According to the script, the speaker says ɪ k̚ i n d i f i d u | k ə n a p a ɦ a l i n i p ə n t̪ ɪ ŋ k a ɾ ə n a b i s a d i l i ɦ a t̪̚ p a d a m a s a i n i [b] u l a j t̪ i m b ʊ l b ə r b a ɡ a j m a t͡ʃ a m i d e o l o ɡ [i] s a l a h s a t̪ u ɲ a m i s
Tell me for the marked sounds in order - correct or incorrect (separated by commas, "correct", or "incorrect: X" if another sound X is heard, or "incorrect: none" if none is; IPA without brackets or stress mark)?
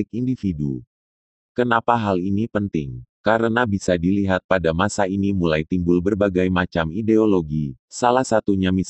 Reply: incorrect: m, correct